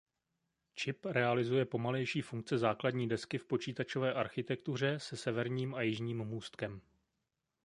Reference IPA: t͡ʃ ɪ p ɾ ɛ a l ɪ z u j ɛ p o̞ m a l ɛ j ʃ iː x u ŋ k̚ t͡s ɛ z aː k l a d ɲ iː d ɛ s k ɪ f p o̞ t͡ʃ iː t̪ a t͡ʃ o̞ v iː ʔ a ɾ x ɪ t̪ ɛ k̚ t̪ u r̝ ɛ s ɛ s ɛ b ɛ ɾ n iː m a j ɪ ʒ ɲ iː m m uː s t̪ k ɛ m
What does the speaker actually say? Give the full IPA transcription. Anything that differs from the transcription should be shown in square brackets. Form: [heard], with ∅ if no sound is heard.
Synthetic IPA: t͡ʃ ɪ p ɾ ɛ a l ɪ z u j ɛ p o̞ m a l ɛ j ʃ iː [f] u ŋ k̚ t͡s ɛ z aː k l a d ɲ iː d ɛ s k ɪ f p o̞ t͡ʃ iː t̪ a t͡ʃ o̞ v [ɛː] ʔ a ɾ x ɪ t̪ ɛ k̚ t̪ u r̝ ɛ s ɛ s ɛ [v] ɛ ɾ [ɲ] iː m a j ɪ ʒ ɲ iː m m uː s t̪ k ɛ m

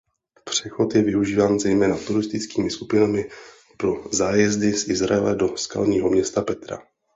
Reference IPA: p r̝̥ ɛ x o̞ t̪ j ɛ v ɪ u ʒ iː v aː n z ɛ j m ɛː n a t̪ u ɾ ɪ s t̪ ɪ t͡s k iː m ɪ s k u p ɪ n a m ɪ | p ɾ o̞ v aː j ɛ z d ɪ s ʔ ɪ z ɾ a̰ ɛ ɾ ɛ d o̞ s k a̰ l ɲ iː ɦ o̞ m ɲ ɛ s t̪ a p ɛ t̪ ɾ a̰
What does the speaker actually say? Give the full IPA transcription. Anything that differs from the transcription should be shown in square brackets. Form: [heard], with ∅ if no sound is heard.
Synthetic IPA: p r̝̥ ɛ x o̞ t̪ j ɛ v ɪ u ʒ iː v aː n z ɛ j m ɛː n a t̪ u ɾ ɪ s t̪ ɪ t͡s k iː m ɪ s k u p ɪ n a m ɪ | p ɾ o̞ [z] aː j ɛ z d ɪ s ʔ ɪ z ɾ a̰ ɛ [l] ɛ d o̞ s k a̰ l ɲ iː ɦ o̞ m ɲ ɛ s t̪ a p ɛ t̪ ɾ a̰

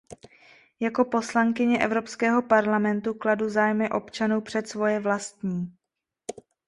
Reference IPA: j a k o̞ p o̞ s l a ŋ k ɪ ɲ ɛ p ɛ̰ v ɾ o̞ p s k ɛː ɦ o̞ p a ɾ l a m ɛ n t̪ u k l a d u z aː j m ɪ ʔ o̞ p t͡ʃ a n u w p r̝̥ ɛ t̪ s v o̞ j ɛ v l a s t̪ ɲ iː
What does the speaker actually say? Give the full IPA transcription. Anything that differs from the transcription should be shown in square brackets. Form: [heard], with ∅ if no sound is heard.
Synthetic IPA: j a k o̞ p o̞ s l a ŋ k ɪ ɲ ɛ [ʔ] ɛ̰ v ɾ o̞ p s k ɛː ɦ o̞ p a ɾ l a m ɛ n t̪ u k l a d u z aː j m ɪ ʔ o̞ p t͡ʃ a n u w p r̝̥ ɛ t̪ s v o̞ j ɛ v l a s t̪ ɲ iː

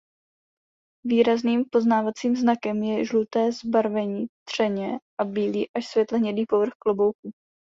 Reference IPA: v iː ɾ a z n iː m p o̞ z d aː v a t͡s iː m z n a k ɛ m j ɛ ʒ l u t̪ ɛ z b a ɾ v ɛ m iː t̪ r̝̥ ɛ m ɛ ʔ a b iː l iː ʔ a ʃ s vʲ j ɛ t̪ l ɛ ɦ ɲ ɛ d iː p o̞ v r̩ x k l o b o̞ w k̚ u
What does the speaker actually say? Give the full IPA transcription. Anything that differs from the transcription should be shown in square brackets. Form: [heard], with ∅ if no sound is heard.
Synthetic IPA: v iː ɾ a z n iː m p o̞ z [n] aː v a t͡s iː m z n a k ɛ m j ɛ ʒ l u t̪ [ɛː] z b a ɾ v ɛ [ɲ] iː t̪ r̝̥ ɛ [ɲ] ɛ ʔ a b iː l iː ʔ a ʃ s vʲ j ɛ t̪ l ɛ ɦ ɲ ɛ d iː p o̞ v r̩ x k l o b o̞ w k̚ u

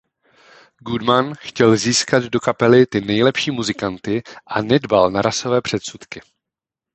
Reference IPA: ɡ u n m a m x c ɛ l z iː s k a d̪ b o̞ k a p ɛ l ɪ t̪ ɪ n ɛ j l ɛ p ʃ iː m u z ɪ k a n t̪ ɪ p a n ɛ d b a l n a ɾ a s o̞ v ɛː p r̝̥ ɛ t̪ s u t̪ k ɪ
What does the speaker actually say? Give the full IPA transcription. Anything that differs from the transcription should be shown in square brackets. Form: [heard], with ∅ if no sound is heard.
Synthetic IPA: ɡ u [d] m a [n] x c ɛ l z iː s k a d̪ [d] o̞ k a p ɛ l ɪ t̪ ɪ n ɛ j l ɛ p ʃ iː m u z ɪ k a n t̪ ɪ [ʔ] a n ɛ d b a l n a ɾ a s o̞ v ɛː p r̝̥ ɛ t̪ s u t̪ k ɪ

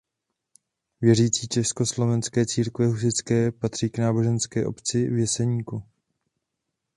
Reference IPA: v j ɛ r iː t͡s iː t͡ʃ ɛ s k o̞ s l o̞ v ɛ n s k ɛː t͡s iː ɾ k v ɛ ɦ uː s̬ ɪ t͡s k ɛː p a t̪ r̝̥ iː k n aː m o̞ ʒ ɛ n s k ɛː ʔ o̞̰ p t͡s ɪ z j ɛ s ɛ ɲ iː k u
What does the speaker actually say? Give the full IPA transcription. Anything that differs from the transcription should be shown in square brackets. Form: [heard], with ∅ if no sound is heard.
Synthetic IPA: v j ɛ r iː t͡s iː t͡ʃ ɛ s k o̞ s l o̞ v ɛ n s k ɛː t͡s iː ɾ k v ɛ ɦ [u] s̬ ɪ t͡s k ɛː p a t̪ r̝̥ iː k n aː [b] o̞ ʒ ɛ n s k ɛː ʔ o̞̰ p t͡s ɪ [v] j ɛ s ɛ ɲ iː k u

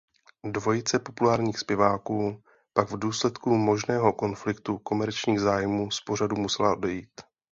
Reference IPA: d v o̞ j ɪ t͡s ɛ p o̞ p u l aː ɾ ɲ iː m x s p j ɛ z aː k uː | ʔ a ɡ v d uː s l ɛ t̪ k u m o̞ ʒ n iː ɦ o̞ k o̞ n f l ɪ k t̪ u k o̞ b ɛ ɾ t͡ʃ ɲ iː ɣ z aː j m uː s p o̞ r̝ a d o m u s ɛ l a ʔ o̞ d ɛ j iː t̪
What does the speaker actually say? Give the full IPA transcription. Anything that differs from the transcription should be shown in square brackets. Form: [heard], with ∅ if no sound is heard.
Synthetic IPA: d v o̞ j ɪ t͡s ɛ p o̞ p u l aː ɾ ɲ iː [∅] x s p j ɛ [v] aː k uː | [p] a ɡ v d uː s l ɛ t̪ k u m o̞ ʒ n [ɛː] ɦ o̞ k o̞ n f l ɪ k t̪ u k o̞ [m] ɛ ɾ t͡ʃ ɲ iː ɣ z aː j m uː s p o̞ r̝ a d [u] m u s ɛ l a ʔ o̞ d ɛ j iː t̪

